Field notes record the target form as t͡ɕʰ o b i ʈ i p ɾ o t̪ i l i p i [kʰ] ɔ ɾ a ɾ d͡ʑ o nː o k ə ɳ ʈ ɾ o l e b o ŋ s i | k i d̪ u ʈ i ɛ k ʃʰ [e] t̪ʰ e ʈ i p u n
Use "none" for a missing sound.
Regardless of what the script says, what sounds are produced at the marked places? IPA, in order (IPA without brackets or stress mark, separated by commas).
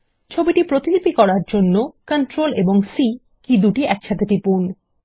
k, a